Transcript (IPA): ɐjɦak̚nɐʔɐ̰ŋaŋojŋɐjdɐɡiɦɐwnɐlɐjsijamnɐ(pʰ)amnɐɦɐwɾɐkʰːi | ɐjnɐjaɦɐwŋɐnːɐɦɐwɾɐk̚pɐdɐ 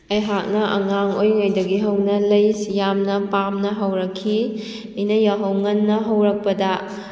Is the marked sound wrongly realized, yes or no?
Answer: yes